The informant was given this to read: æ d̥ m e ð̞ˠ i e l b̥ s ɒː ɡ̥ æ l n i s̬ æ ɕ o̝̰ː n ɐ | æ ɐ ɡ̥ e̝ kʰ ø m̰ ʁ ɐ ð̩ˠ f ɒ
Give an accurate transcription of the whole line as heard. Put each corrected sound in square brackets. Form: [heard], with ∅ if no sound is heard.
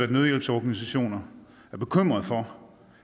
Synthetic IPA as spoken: æ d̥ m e ð̞ˠ [j] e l b̥ s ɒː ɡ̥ æ [∅] n i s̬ æ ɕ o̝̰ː n ɐ | æ ɐ [b̥] e̝ kʰ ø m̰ ʁ ɐ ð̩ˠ f ɒ